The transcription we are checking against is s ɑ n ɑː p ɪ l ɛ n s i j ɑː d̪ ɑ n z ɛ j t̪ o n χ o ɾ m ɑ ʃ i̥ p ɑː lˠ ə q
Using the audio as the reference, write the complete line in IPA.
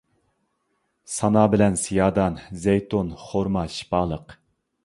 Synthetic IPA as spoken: s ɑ n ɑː b ɪ l ɛ n s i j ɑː d̪ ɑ n z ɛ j t̪ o n χ o ɾ m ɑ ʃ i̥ p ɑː lˠ ə q